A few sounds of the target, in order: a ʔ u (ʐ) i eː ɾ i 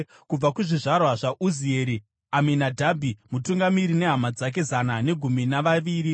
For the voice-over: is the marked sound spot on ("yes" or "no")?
no